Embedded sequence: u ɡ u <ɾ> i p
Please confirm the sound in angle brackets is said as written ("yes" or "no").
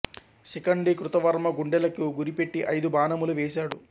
yes